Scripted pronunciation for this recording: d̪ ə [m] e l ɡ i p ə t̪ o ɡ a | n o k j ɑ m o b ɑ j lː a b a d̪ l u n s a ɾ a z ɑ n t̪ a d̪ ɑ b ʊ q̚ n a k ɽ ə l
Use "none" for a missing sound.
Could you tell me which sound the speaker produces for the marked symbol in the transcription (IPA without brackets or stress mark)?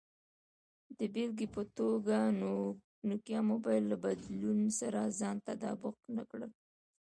b